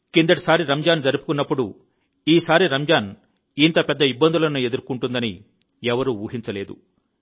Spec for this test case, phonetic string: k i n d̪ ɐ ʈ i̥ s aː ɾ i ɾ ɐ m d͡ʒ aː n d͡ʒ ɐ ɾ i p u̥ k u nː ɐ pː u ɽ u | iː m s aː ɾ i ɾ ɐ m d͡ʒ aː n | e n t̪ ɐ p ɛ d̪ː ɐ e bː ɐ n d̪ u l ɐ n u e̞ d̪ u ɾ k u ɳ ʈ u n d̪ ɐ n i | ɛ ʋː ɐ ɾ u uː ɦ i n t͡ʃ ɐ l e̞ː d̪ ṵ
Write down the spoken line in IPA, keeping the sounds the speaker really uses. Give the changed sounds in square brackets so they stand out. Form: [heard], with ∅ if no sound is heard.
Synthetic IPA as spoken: k i n d̪ ɐ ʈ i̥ s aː ɾ i ɾ ɐ m d͡ʒ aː n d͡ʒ ɐ ɾ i p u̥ k u nː ɐ pː u ɽ u | iː [∅] s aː ɾ i ɾ ɐ m d͡ʒ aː n | [i] n t̪ ɐ p ɛ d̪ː ɐ [i] bː ɐ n d̪ u l ɐ n u e̞ d̪ u ɾ k u ɳ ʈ u n d̪ ɐ n i | ɛ [ʋ] ɐ ɾ u uː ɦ i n t͡ʃ ɐ l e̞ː d̪ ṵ